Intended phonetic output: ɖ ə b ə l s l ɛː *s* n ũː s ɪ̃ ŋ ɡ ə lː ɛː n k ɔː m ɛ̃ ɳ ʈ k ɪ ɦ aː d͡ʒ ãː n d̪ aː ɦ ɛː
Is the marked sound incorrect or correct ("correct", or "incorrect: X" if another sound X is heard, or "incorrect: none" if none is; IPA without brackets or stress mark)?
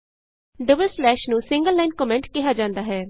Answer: incorrect: ʃ